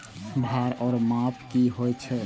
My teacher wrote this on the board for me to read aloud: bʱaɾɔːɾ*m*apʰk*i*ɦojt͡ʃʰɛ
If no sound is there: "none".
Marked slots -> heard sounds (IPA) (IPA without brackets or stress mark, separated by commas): m, i